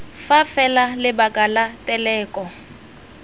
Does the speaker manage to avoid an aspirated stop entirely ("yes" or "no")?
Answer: yes